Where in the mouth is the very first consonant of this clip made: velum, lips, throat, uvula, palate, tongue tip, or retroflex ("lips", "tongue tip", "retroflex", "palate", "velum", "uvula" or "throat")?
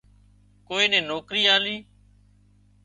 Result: velum